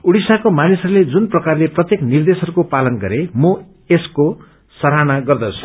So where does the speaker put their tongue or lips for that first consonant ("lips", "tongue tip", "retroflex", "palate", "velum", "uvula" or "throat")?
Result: retroflex